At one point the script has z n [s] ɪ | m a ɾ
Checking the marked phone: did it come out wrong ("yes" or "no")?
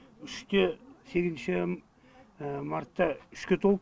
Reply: yes